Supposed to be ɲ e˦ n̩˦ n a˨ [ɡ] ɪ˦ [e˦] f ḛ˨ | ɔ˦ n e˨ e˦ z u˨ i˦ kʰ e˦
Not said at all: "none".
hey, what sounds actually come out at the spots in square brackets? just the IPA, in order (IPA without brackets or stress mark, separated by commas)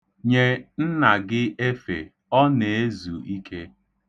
ɡ, e˦